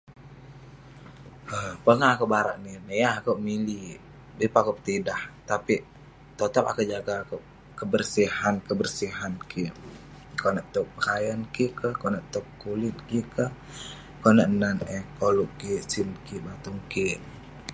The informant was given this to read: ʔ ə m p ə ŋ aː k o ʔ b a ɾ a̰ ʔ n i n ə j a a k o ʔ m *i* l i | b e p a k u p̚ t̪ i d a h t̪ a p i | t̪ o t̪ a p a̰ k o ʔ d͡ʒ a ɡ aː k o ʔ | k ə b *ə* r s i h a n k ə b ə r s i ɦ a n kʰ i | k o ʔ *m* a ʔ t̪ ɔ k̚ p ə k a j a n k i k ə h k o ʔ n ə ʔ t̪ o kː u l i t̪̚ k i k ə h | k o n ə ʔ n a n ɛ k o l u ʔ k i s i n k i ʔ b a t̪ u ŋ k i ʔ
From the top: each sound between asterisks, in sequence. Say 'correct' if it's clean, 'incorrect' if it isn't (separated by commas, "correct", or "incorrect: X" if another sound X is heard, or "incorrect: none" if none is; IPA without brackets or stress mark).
correct, correct, incorrect: n